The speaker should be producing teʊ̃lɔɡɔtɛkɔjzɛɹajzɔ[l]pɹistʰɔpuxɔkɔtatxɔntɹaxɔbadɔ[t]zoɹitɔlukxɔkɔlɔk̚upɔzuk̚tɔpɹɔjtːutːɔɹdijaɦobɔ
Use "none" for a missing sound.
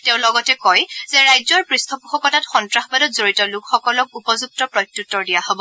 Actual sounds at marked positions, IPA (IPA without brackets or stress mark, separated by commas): ɹ, t